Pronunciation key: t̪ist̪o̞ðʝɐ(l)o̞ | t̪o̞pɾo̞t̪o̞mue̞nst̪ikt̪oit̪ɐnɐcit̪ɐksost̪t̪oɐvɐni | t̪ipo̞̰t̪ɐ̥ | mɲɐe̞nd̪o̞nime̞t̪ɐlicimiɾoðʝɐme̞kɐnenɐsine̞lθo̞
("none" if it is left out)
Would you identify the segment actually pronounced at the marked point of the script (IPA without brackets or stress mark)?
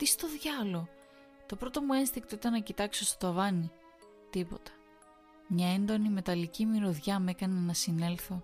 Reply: l